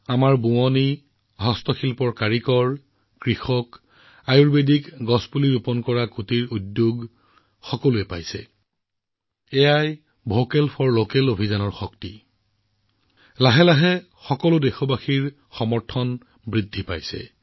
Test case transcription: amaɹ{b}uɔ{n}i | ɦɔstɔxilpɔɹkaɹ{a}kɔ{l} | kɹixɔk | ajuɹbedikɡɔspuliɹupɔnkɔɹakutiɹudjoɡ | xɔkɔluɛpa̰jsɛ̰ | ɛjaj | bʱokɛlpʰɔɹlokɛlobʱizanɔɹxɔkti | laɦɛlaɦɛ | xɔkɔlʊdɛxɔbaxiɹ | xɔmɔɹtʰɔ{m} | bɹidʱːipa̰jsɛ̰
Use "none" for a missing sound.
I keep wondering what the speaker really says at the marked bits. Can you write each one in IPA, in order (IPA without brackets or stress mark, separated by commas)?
b, n, i, ɹ, n